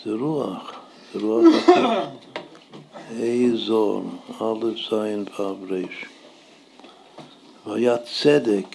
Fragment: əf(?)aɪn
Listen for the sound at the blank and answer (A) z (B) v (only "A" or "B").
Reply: A